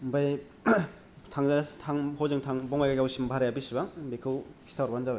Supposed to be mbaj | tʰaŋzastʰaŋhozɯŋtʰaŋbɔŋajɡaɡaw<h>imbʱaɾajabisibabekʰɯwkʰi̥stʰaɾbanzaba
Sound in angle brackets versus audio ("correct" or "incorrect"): incorrect